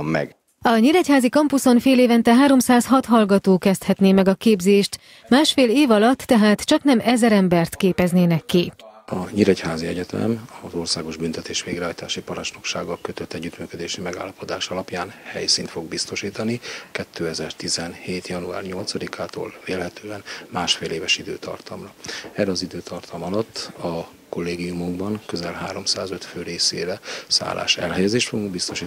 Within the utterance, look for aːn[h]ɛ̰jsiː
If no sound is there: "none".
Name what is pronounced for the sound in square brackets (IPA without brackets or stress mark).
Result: h